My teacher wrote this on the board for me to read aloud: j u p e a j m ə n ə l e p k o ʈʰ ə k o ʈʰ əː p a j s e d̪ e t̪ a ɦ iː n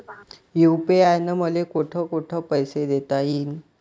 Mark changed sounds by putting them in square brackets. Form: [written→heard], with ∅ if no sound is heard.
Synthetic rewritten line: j u p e a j [m→n] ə [n→m] ə l e [p→∅] k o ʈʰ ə k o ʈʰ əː p [a→ə] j s e d̪ e t̪ a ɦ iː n